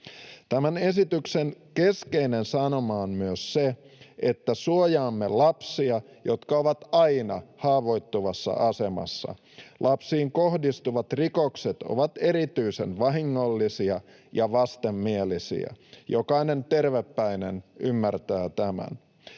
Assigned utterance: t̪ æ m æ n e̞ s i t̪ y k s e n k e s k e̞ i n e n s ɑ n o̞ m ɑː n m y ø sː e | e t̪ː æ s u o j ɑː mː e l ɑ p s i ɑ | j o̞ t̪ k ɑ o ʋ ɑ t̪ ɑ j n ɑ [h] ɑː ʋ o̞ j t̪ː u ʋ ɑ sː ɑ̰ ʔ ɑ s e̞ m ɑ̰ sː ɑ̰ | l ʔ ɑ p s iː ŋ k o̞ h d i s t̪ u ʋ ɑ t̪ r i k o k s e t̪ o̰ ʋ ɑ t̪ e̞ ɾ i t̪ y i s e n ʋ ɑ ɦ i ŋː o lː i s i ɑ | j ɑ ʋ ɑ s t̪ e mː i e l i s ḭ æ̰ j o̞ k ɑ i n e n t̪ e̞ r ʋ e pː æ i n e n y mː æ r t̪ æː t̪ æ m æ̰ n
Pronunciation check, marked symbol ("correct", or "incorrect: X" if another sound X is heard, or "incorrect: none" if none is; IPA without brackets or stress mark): correct